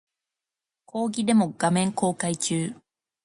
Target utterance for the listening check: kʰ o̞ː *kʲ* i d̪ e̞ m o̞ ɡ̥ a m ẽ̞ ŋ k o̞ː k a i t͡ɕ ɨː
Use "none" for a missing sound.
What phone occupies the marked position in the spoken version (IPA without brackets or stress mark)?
ɡʲ